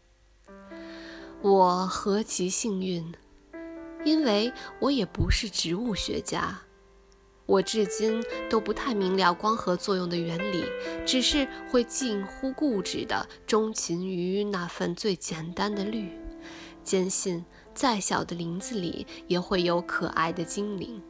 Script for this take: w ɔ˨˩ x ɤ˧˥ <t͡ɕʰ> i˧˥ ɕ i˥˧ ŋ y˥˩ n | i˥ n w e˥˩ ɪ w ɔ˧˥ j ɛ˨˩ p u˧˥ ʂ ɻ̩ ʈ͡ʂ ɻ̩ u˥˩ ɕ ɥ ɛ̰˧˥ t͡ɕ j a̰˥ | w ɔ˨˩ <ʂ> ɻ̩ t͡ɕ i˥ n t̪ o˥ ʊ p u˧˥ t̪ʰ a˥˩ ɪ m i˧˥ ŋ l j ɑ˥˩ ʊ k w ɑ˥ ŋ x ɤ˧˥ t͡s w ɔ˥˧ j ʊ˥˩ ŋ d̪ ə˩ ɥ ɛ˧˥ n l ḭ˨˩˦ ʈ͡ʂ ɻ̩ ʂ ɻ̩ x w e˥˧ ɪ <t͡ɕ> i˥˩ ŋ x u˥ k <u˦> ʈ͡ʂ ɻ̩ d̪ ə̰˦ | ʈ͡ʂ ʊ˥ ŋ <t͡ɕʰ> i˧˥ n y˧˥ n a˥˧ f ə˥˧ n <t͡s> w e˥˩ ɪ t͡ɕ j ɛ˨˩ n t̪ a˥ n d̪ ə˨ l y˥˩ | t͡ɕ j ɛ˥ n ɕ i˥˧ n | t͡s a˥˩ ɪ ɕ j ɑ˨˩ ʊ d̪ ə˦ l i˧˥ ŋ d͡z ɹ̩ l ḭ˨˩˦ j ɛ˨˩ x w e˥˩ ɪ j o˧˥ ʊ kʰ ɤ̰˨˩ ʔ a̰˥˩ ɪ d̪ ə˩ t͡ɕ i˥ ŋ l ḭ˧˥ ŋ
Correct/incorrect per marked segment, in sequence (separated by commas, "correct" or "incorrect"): correct, incorrect, correct, incorrect, correct, correct